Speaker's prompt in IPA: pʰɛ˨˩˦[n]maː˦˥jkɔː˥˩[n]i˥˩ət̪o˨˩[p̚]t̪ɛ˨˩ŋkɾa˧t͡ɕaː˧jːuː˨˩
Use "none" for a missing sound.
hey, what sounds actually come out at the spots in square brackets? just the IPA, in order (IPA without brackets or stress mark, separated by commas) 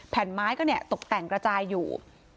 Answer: n, n, k̚